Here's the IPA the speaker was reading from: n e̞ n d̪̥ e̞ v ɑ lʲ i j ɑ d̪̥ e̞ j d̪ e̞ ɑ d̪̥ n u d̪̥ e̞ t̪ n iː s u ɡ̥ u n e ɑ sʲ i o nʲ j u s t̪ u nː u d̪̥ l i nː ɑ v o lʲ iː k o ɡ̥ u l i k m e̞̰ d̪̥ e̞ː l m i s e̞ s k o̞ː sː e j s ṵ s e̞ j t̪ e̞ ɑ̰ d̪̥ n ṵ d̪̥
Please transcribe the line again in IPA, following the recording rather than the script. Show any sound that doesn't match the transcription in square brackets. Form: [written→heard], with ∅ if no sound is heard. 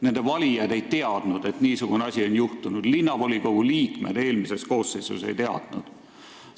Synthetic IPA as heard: n e̞ n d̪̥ e̞ v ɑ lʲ i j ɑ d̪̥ e̞ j [d̪→t̪] e̞ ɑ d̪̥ n u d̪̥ e̞ t̪ n iː s u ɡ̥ u n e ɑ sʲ i o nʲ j u [s→h] t̪ u [nː→n] u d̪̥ l i nː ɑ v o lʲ [iː→i] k o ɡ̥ u l [i→iː] k m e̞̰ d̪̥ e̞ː l m i s e̞ s k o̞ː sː e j s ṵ s e̞ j t̪ e̞ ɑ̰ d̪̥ n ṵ d̪̥